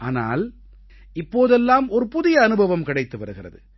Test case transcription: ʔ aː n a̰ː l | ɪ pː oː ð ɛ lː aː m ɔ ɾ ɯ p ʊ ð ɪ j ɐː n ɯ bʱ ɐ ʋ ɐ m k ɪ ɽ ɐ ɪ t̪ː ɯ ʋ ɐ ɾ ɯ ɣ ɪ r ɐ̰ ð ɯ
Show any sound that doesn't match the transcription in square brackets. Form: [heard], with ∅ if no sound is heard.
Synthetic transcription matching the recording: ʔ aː n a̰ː l | ɪ pː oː ð ɛ lː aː m ɔ ɾ ɯ p ʊ ð ɪ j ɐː n ɯ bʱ ɐ ʋ ɐ m k ɪ ɽ ɐ ɪ t̪ː ɯ ʋ ɐ ɾ ɯ ɣ ɪ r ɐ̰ ð ɯ